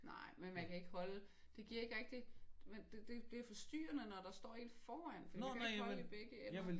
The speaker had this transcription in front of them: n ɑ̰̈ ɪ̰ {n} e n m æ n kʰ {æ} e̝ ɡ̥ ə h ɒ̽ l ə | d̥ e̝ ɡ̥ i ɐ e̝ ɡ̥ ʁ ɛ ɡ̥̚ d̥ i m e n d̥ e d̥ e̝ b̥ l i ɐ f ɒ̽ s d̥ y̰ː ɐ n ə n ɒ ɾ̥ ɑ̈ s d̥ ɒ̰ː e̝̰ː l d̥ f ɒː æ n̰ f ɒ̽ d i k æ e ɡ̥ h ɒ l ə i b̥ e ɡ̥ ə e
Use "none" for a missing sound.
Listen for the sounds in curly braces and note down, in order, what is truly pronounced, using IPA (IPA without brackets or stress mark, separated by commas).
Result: m, æ